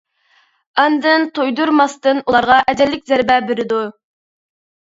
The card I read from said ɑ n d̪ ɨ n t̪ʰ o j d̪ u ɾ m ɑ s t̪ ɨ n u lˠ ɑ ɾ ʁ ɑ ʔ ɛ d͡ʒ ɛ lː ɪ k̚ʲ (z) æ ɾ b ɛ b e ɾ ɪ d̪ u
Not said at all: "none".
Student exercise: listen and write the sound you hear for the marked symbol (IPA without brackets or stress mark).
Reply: z